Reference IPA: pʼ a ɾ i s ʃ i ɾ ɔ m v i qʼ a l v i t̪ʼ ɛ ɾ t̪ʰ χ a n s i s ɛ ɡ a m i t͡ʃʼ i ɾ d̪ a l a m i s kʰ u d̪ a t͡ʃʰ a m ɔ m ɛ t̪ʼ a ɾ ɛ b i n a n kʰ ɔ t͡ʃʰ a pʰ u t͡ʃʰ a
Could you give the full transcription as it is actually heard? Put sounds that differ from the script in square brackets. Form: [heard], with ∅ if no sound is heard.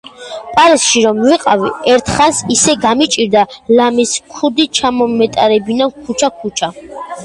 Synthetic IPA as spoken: pʼ a ɾ i s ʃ i ɾ ɔ m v i qʼ a [∅] v i [∅] ɛ ɾ t̪ʰ χ a n s i s ɛ ɡ a m i t͡ʃʼ i ɾ d̪ a l a m i s kʰ u d̪ [i] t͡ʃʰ a m ɔ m ɛ t̪ʼ a ɾ ɛ b i n a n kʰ [u] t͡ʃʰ a [kʰ] u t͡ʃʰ a